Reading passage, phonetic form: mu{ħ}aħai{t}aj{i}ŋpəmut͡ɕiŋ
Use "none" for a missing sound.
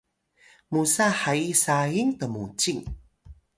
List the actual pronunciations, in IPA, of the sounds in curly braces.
s, s, i

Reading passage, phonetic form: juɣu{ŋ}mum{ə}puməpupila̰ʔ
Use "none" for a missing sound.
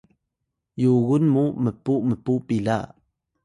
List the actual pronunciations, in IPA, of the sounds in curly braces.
n, ə

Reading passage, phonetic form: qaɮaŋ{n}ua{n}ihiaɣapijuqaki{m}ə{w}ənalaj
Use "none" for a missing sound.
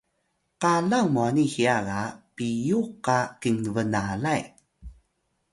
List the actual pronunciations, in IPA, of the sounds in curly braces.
m, n, ŋ, v

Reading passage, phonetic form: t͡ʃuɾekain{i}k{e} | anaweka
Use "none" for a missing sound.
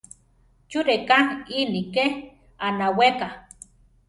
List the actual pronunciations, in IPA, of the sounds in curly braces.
i, e

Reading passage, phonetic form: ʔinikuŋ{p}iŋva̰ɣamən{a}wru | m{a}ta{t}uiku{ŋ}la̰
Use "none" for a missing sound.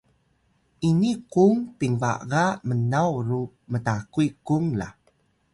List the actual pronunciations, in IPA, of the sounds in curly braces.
p, a, ə, k, ŋ

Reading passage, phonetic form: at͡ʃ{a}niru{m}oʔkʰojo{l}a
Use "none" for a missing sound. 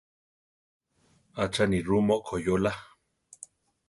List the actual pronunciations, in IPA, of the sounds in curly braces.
a, m, l

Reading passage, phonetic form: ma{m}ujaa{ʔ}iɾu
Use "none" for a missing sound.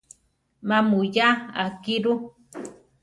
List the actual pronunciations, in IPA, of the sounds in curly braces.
m, k

